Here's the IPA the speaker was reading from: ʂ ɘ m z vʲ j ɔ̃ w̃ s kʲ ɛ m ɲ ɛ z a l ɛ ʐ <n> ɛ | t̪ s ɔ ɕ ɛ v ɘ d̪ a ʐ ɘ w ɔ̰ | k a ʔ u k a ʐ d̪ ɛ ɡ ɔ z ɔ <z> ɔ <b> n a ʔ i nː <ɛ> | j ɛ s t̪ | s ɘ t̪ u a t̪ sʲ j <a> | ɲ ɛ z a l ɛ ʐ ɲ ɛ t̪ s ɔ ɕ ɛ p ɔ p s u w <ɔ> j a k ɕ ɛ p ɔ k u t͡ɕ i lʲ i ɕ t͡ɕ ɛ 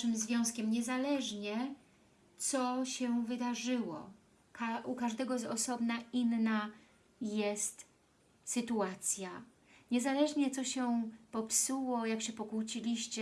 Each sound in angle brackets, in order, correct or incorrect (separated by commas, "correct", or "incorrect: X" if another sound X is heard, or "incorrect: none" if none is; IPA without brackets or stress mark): incorrect: ɲ, incorrect: s, correct, incorrect: a, correct, correct